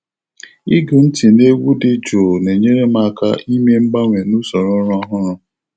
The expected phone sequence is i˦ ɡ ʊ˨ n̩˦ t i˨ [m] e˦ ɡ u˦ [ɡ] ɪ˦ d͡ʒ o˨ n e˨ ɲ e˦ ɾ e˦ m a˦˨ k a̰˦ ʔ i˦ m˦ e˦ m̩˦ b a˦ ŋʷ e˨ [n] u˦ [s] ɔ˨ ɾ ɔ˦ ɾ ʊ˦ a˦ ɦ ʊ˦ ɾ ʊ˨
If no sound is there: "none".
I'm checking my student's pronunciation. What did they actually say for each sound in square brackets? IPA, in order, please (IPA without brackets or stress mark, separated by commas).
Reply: n, d, n, s